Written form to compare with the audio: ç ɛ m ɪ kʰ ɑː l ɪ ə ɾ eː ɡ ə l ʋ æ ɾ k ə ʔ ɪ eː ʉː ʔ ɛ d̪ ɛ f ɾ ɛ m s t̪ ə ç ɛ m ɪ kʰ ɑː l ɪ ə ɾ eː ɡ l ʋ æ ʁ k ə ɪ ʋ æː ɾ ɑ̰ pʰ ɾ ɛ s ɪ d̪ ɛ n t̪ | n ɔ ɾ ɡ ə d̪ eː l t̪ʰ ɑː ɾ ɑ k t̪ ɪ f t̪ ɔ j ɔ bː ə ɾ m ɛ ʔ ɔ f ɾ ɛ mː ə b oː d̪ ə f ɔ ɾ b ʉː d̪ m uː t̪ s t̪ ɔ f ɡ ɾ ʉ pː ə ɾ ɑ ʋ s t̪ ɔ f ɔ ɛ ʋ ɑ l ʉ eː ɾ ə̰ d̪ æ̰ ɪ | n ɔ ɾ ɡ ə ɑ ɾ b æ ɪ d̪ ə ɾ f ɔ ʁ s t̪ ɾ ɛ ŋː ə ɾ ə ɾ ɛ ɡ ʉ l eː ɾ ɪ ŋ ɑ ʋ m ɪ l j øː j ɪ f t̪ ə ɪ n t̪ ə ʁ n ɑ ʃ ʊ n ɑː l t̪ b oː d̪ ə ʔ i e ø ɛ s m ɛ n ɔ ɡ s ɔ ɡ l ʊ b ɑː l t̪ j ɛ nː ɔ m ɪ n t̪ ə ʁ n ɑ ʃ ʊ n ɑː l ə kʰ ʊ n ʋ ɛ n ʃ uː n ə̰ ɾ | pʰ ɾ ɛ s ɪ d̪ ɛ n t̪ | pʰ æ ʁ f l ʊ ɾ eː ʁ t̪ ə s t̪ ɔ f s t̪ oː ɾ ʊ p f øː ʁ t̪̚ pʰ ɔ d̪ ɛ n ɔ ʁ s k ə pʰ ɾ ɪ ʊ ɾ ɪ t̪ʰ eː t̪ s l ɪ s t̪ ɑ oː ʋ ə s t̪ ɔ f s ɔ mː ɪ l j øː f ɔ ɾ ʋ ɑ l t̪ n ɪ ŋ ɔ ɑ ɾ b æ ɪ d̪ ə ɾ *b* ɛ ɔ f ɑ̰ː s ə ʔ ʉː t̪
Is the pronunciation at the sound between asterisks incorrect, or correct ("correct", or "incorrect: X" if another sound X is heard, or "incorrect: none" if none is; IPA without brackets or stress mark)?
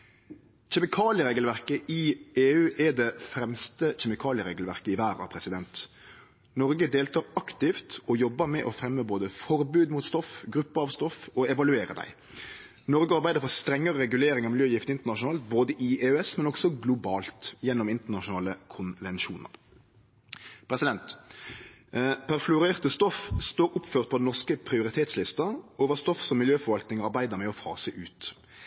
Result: incorrect: m